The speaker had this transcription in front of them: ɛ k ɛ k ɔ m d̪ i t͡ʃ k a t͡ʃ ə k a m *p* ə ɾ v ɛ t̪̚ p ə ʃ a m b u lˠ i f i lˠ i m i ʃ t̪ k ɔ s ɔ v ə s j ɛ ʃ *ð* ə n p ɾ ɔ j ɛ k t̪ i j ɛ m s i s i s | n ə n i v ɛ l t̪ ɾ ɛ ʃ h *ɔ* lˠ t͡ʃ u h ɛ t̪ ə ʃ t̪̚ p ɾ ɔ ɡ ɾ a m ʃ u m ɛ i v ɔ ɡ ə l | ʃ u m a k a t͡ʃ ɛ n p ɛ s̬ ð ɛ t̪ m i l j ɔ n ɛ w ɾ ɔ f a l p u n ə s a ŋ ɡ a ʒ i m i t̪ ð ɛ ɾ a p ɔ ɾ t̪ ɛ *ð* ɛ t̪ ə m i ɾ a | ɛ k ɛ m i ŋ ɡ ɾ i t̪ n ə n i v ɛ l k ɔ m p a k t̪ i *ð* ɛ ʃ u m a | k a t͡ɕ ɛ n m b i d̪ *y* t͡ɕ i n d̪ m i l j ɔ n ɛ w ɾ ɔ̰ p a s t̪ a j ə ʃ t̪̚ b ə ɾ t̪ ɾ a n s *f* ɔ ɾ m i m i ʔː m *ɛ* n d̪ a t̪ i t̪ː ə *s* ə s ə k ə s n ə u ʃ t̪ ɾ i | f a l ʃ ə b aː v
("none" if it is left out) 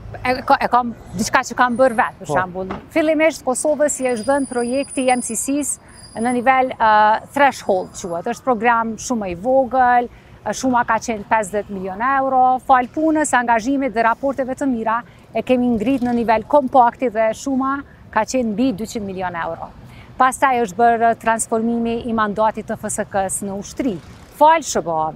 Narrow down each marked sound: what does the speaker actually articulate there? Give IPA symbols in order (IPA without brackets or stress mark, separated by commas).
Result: b, ð, ɔ, v, ð, y, f, a, f